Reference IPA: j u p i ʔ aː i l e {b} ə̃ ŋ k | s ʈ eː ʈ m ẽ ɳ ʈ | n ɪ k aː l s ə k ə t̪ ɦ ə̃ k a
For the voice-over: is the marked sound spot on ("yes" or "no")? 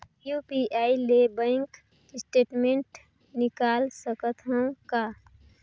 yes